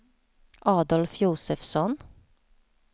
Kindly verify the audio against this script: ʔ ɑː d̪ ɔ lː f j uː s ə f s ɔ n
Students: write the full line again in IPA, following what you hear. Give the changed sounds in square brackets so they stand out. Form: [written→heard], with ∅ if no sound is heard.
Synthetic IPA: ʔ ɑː d̪ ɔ [lː→l] f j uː s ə f s ɔ n